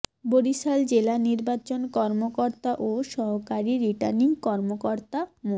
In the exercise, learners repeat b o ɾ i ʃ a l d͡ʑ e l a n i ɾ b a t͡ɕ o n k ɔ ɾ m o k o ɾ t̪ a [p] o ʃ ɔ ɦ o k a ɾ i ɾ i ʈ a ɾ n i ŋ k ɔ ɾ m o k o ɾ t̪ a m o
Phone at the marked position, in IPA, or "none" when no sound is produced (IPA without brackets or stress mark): ʔ